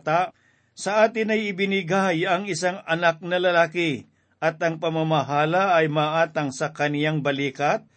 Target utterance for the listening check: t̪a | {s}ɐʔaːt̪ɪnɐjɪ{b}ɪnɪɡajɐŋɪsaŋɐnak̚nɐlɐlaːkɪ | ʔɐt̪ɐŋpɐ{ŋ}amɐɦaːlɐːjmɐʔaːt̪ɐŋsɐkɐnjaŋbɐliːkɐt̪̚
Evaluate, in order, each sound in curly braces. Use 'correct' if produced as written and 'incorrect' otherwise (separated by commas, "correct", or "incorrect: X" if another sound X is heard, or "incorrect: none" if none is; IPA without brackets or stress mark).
correct, correct, incorrect: m